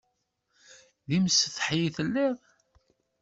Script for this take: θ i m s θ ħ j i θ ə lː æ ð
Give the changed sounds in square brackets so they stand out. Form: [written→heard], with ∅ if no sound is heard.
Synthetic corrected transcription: [θ→ð] i m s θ ħ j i θ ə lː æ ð